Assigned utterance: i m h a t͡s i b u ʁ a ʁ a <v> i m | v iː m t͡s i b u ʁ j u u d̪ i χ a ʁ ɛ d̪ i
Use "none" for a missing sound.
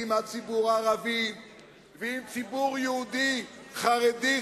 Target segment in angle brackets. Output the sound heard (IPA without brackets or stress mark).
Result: v